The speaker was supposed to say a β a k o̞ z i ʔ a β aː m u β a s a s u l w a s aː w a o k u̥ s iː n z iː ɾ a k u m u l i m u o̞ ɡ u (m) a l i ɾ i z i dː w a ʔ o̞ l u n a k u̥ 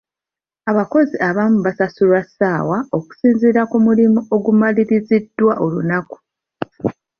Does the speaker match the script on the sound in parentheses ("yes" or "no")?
yes